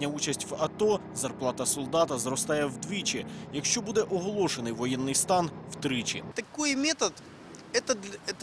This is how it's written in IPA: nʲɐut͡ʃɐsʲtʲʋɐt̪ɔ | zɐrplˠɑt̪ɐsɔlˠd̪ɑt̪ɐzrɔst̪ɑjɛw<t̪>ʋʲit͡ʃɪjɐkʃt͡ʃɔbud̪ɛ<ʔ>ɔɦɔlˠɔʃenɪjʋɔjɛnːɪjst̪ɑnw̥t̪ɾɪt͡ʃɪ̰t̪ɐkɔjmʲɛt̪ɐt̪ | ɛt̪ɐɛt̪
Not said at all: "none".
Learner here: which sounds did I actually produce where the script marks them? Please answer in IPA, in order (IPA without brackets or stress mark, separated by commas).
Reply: d̪, ʔ